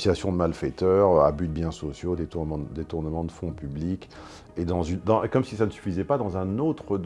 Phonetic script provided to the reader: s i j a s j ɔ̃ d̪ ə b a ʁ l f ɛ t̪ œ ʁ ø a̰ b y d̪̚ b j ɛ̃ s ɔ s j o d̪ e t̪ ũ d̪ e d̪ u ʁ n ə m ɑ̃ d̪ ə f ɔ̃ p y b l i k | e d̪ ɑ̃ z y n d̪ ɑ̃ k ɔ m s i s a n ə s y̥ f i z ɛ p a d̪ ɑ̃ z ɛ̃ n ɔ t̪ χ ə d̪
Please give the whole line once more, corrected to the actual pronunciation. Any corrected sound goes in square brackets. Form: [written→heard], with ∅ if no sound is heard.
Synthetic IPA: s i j a s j ɔ̃ d̪ ə [b→m] a [ʁ→∅] l f ɛ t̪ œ ʁ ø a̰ b y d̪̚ b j ɛ̃ s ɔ s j o d̪ e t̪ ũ d̪ e [d̪→t̪] u ʁ n ə m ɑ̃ d̪ ə f ɔ̃ p y b l i k | e d̪ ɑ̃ z y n d̪ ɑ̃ k ɔ m s i s a n ə s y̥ f i z ɛ p a d̪ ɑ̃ z ɛ̃ n [ɔ→o] t̪ χ ə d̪